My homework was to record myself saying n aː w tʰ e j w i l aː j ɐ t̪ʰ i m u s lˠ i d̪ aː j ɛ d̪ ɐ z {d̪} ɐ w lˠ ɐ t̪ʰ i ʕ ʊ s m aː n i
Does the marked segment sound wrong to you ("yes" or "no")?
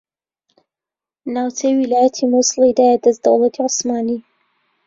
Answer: no